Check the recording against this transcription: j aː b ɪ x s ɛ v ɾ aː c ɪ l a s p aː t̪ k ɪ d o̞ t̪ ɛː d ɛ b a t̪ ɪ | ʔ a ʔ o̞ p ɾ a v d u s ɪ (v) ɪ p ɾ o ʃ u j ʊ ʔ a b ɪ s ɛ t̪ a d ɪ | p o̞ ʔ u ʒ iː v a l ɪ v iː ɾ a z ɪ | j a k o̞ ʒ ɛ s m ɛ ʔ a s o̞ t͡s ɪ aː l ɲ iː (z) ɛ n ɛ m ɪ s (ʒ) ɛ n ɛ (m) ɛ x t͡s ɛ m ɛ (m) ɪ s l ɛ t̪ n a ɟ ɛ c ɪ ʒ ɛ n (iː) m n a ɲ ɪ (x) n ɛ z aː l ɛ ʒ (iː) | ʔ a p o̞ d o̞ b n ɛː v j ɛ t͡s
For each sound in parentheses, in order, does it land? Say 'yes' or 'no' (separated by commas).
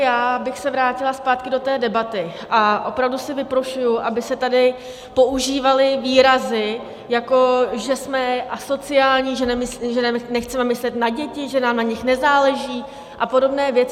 yes, no, yes, no, yes, no, yes, yes